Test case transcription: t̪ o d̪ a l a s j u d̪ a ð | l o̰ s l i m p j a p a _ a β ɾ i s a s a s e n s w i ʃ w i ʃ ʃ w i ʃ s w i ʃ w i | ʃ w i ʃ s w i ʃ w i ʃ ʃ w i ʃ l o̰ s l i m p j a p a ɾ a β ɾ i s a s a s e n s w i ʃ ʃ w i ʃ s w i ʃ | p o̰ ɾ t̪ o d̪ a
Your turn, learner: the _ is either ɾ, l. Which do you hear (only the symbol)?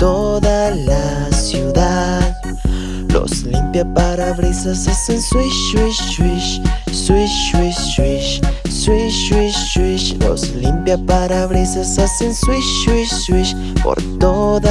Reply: ɾ